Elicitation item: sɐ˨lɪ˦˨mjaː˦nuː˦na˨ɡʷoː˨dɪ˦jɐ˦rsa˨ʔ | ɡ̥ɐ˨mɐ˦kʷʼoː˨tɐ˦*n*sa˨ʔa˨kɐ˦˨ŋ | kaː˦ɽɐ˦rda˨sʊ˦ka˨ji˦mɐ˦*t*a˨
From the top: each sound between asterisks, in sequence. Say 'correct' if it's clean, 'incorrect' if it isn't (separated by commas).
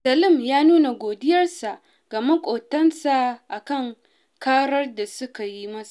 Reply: correct, incorrect